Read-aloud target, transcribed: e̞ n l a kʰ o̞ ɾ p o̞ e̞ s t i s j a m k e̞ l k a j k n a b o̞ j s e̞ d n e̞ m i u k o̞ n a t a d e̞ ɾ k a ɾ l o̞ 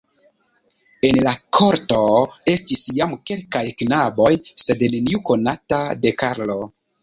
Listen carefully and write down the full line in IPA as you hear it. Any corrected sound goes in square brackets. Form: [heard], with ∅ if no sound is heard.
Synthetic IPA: e̞ n l a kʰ o̞ ɾ [t] o̞ e̞ s t i s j a m k e̞ l k a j k n a b o̞ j s e̞ d n e̞ [n] i u k o̞ n a t a d e̞ [∅] k a ɾ l o̞